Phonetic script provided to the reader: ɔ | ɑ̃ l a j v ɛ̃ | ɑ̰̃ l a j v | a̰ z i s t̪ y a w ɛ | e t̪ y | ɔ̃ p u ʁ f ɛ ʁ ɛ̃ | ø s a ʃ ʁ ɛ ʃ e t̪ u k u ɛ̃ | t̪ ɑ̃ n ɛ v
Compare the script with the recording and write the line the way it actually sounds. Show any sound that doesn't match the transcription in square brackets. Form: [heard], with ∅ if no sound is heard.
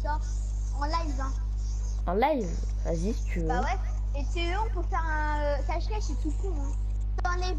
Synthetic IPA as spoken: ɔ | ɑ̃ l a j v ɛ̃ | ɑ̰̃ l a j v | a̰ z i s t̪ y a w ɛ | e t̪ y | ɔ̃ p u ʁ f ɛ ʁ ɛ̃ | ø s a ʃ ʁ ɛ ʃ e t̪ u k u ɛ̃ | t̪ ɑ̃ n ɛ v